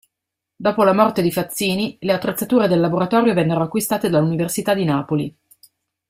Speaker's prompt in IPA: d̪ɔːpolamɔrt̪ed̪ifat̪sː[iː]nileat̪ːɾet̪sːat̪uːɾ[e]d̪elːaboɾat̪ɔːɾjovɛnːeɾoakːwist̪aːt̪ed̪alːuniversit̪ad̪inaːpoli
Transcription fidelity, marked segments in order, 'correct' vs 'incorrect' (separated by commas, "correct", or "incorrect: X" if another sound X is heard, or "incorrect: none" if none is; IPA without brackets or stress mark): correct, correct